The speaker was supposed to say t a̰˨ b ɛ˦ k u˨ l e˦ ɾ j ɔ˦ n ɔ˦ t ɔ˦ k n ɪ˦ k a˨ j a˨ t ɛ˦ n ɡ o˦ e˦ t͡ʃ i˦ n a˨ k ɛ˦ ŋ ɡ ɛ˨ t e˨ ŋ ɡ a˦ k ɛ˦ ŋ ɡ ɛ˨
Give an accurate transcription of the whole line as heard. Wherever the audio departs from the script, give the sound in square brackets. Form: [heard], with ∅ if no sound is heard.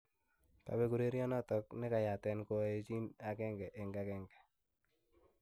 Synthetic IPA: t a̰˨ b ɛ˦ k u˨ [ɾ] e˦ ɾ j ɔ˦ n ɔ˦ t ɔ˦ k n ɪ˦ k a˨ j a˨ t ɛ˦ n [k] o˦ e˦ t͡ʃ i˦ n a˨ k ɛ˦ ŋ ɡ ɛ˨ [ʔ] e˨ ŋ ɡ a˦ k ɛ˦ ŋ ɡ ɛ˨